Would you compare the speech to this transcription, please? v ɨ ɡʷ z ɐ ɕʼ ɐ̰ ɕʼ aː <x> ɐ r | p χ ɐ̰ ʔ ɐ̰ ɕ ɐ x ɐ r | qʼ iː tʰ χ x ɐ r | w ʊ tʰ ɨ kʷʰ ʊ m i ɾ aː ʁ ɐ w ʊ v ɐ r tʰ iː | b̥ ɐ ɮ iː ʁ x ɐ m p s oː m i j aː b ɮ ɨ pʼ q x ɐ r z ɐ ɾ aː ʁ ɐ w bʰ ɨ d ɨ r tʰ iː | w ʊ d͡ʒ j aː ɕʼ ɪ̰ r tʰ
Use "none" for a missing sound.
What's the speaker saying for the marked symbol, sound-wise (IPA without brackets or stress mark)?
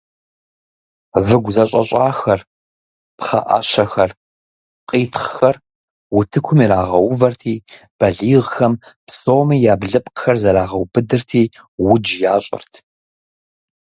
x